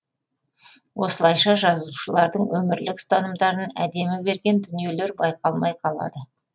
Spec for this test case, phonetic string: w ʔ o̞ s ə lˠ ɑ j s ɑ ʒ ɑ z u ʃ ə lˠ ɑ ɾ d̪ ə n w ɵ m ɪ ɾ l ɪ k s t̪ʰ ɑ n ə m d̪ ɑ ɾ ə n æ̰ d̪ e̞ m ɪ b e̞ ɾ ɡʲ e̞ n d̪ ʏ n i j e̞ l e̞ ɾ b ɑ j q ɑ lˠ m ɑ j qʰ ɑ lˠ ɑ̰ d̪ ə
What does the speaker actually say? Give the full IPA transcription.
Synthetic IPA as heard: w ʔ o̞ s ə lˠ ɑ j ʃ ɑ ʒ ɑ z u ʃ ə lˠ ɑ ɾ d̪ ə ɴ w ɵ m ɪ ɾ l ɪ k s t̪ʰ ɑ n ə m d̪ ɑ ɾ ə n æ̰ d̪ e̞ m ɪ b e̞ ɾ ɡʲ e̞ n d̪ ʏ n i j e̞ l e̞ ɾ b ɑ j q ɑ lˠ m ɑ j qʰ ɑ lˠ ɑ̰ d̪ ə